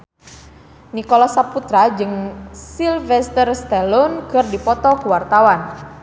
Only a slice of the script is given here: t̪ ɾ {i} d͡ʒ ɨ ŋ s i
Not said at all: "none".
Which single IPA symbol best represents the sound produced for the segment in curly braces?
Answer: a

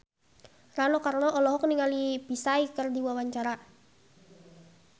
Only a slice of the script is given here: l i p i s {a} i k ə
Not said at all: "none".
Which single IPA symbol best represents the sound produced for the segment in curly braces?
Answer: a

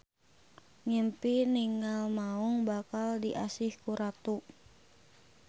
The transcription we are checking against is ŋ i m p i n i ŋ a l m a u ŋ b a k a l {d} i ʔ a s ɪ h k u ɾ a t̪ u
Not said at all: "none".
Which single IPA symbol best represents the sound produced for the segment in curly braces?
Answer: d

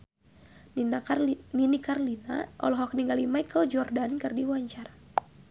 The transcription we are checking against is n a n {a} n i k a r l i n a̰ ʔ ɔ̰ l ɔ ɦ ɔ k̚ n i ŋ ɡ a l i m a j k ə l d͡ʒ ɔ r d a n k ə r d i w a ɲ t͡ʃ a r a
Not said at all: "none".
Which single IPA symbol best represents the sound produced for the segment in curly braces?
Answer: i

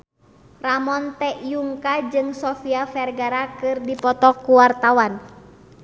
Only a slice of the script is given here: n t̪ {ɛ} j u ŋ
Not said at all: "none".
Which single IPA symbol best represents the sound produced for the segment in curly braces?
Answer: ɛ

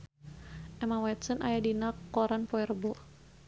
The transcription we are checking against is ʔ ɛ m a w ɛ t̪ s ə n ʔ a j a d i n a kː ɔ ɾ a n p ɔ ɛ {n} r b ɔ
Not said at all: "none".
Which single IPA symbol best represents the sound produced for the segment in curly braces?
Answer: none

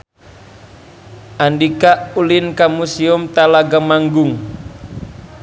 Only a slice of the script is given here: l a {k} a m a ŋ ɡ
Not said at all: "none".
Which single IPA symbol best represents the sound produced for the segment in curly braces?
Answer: ɡ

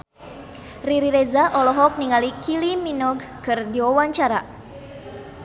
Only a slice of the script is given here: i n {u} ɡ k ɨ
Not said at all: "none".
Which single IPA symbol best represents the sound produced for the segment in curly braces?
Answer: ɔ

